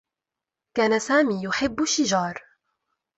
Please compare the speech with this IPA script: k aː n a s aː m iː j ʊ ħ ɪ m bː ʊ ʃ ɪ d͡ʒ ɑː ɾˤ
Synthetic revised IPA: k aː n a s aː m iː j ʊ ħ ɪ bː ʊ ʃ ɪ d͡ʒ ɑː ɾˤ